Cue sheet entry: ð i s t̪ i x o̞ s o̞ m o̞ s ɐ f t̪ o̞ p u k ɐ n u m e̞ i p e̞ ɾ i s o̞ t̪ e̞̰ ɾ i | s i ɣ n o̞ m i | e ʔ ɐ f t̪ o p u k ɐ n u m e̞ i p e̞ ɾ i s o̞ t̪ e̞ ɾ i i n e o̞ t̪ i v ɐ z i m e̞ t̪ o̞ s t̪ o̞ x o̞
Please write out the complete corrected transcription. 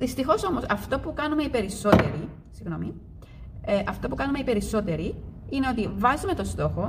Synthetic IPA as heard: ð i s t̪ i x o̞ s o̞ m o̞ s ɐ f t̪ o̞ p u k ɐ n u m e̞ i p e̞ ɾ i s o̞ t̪ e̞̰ ɾ i | s i ɣ n o̞ m i | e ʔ ɐ f t̪ o p u k ɐ n u m e̞ i p e̞ ɾ i s o̞ t̪ e̞ ɾ i i n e o̞ t̪ i v ɐ z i m e̞ t̪ o̞ s t̪ o̞ x o̞